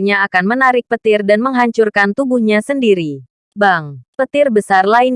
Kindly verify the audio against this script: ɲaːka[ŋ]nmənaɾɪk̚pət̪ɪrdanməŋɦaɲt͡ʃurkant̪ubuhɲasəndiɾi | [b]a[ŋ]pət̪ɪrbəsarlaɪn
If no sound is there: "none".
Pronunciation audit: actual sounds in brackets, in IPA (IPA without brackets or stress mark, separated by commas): none, b, ŋ